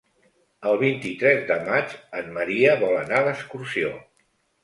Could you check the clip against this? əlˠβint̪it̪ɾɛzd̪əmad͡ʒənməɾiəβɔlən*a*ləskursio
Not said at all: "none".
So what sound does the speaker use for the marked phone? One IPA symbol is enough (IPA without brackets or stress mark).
a